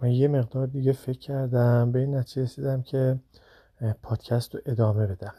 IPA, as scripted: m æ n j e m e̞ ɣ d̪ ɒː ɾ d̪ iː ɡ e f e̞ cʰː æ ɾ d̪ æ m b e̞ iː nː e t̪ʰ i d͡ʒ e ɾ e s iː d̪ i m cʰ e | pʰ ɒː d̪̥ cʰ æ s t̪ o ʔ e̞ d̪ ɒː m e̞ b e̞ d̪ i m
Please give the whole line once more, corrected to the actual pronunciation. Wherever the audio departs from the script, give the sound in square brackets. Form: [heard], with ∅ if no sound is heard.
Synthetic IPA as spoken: m æ n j e m e̞ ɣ d̪ ɒː ɾ d̪ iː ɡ e f e̞ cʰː æ ɾ d̪ æ m b e̞ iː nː [æ] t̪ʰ i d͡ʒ e ɾ e s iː d̪ [æ] m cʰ e | pʰ ɒː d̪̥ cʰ æ s t̪ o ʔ e̞ d̪ ɒː m e̞ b e̞ d̪ [æ] m